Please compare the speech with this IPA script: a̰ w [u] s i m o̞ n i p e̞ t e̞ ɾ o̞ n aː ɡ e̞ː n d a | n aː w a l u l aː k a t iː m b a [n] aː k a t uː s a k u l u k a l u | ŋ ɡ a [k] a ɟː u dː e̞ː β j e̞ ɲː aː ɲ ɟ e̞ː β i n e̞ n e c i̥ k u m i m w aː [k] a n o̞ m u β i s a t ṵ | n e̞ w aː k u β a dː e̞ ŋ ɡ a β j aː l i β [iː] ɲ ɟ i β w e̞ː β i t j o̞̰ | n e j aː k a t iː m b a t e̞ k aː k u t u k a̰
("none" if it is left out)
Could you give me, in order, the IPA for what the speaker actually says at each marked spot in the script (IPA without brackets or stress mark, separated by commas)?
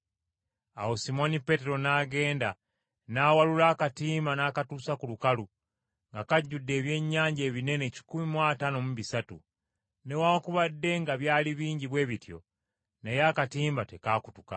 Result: o, n, k, t, iː